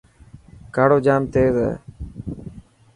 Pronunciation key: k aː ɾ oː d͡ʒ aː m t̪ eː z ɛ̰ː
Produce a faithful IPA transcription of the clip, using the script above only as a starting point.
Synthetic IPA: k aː ɽ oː d͡ʒ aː m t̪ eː z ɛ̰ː